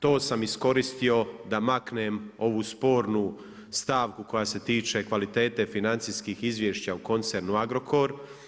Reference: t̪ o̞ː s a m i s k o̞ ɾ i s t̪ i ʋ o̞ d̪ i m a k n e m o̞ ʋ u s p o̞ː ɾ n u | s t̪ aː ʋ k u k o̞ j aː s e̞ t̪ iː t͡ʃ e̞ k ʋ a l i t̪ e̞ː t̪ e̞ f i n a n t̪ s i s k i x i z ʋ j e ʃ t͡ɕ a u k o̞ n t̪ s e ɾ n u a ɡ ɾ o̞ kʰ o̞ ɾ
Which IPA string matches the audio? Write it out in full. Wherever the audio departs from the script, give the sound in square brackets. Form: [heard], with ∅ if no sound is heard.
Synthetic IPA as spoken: t̪ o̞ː s a m i s k o̞ ɾ i s t̪ i [∅] o̞ d̪ [a] m a k n e m o̞ ʋ u s p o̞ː ɾ n u | s t̪ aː ʋ k u k o̞ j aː s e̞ t̪ iː t͡ʃ e̞ k ʋ a l i t̪ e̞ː t̪ e̞ f i n a n t̪ s i s k i x i z ʋ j e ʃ t͡ɕ a u k o̞ n t̪ s e ɾ n u a ɡ ɾ o̞ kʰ o̞ ɾ